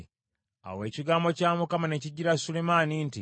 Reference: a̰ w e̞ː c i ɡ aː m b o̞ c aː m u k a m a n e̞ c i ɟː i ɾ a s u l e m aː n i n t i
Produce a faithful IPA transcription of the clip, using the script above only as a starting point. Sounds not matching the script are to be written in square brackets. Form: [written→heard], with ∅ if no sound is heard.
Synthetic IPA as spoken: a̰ w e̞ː c i ɡ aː m b o̞ c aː m u k a m a n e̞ c i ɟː i ɾ a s u l e m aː n i n t i

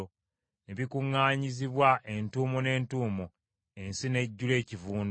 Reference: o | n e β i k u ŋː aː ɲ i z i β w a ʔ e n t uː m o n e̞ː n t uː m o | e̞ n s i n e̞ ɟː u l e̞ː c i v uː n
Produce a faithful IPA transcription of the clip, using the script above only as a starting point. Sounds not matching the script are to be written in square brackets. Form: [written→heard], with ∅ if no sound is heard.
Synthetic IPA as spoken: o | n e β i k u ŋː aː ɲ i z i β w a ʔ e n t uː m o n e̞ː n t uː m o | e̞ n s i n e̞ ɟː u l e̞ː c i v uː n

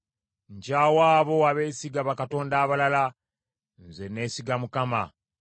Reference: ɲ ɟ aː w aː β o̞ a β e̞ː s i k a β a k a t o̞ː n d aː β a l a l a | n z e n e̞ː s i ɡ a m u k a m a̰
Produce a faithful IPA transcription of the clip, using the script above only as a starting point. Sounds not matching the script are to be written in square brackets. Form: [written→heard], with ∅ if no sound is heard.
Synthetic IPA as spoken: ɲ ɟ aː w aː β o̞ a β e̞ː s i [k→ɡ] a β a k a t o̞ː n d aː β a l a l a | n z e n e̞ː s i ɡ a m u k a m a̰

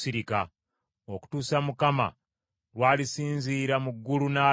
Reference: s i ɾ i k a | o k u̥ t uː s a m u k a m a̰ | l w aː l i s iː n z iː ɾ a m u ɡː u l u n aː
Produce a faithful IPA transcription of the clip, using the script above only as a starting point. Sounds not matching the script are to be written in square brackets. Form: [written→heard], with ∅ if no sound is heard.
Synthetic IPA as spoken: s i ɾ i k a | o k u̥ t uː s a m u k a m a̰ | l w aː l i s iː n z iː ɾ a m u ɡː u l u n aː

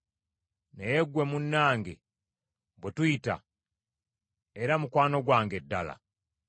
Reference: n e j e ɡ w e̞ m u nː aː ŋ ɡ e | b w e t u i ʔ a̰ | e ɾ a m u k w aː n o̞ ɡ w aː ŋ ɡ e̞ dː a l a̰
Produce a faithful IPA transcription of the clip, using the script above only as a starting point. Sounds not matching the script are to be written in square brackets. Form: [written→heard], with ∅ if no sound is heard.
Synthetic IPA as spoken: n e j e ɡ w e̞ m u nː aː ŋ ɡ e | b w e t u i [ʔ→t] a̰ | e ɾ a m u k w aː n o̞ ɡ w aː ŋ ɡ e̞ dː a l a̰

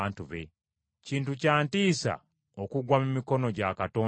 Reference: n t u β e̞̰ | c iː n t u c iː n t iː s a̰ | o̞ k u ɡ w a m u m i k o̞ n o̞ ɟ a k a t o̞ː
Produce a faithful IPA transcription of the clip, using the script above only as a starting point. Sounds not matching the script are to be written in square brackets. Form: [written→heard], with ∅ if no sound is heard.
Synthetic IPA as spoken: n t u β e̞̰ | c iː n t u c [iː→aː] n t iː s a̰ | o̞ k u ɡ w a m u m i k o̞ n o̞ ɟ a k a t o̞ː

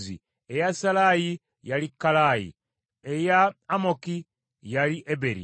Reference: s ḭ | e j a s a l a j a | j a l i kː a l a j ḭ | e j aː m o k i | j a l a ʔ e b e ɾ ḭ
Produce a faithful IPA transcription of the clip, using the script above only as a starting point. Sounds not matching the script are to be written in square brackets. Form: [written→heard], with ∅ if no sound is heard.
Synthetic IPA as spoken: [s→z] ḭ | e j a s a l a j [a→i] | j a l i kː a l a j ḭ | e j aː m o k i | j a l [a→i] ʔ e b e ɾ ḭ

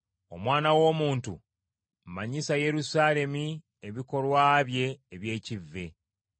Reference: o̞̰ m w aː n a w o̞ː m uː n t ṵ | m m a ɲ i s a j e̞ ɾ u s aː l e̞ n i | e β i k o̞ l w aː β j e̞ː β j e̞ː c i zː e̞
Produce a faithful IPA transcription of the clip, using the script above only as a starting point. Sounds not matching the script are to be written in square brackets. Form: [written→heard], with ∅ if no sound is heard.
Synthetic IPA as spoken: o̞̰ m w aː n a w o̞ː m uː n t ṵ | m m a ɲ i s a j e̞ ɾ u s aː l e̞ [n→m] i | e β i k o̞ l w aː β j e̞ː β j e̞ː c i [zː→vː] e̞

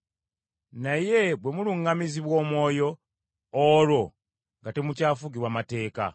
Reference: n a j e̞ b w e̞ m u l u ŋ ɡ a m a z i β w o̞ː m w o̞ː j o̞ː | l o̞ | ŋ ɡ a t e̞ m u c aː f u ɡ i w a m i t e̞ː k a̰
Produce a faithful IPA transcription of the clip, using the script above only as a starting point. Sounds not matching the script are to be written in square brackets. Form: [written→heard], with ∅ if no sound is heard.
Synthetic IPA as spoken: n a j e̞ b w e̞ m u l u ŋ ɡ a m [a→i] z i β w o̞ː m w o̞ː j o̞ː | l o̞ | ŋ ɡ a t e̞ m u c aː f u ɡ i w a m [i→a] t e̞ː k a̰

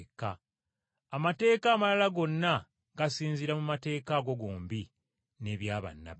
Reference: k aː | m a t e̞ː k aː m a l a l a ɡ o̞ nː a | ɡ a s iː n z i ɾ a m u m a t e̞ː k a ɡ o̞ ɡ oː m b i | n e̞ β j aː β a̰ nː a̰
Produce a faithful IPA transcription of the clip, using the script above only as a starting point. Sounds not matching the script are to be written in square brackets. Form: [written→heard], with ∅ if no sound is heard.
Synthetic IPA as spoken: k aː | m a t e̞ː k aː m a l a l a ɡ o̞ nː a | ɡ a s iː n z i ɾ a m u m a t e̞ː k a ɡ o̞ ɡ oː m b i | n e̞ β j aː β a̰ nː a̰

